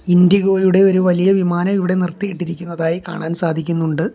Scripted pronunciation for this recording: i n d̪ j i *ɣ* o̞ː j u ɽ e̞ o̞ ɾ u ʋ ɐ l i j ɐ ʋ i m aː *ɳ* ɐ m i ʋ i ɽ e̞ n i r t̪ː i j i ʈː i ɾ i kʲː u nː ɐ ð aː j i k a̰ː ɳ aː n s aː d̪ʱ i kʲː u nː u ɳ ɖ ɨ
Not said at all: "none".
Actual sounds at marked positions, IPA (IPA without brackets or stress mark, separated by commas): ɣ, n